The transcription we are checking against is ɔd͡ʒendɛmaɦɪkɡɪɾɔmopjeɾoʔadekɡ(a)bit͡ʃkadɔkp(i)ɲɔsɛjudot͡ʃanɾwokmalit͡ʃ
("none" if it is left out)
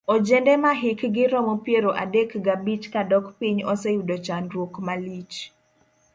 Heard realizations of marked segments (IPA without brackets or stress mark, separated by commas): a, i